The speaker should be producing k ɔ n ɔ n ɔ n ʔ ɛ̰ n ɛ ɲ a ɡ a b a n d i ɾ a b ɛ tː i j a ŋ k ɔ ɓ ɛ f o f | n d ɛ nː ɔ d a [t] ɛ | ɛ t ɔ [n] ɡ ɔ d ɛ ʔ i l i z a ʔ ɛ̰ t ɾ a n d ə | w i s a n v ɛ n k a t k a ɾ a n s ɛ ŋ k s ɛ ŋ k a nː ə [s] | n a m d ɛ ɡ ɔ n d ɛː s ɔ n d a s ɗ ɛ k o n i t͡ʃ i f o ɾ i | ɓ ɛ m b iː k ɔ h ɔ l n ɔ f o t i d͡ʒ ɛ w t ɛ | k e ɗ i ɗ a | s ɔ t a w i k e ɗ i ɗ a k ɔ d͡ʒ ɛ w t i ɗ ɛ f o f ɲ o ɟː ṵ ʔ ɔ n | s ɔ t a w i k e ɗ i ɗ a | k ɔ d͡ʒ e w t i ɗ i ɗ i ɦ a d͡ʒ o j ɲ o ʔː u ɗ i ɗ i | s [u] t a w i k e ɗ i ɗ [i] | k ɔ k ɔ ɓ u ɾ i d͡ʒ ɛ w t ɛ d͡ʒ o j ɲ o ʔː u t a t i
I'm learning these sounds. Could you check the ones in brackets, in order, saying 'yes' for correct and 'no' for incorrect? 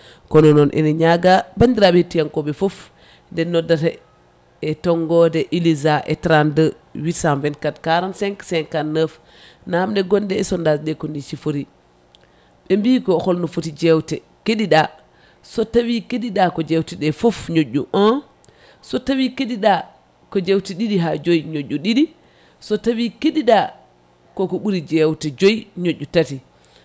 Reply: yes, no, no, no, no

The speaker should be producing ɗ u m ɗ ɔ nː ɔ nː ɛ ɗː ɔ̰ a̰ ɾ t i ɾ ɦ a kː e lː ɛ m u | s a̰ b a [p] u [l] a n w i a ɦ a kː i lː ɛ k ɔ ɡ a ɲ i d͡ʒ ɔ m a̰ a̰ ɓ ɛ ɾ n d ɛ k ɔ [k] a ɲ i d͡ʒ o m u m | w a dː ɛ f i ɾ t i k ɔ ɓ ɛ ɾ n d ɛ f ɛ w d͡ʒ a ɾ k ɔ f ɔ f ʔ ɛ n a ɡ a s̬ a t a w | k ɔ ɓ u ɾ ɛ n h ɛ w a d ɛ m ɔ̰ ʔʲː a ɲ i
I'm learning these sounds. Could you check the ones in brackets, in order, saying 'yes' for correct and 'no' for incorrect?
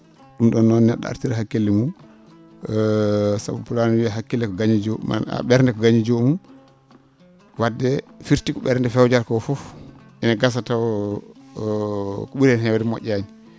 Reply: yes, yes, no

